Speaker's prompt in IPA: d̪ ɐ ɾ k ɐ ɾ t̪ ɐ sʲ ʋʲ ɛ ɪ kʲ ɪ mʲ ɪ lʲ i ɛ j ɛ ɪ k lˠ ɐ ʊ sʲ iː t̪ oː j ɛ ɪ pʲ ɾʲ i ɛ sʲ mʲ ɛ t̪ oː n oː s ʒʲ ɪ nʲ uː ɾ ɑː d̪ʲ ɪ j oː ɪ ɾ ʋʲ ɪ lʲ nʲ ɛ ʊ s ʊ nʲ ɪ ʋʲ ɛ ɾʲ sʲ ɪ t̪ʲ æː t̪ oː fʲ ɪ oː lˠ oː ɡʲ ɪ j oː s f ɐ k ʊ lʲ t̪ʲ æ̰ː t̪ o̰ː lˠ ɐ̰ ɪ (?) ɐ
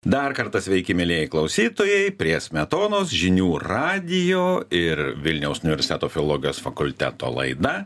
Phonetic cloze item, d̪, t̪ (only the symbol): d̪